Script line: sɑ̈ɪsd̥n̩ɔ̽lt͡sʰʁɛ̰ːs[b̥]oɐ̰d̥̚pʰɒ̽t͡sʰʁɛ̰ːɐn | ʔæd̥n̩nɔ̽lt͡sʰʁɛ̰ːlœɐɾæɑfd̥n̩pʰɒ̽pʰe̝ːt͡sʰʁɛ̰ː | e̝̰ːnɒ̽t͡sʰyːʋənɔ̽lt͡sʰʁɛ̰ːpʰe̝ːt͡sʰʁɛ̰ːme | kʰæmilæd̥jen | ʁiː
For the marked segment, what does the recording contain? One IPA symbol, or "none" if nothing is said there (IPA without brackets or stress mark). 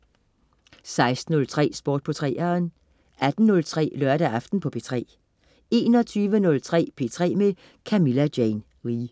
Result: b̥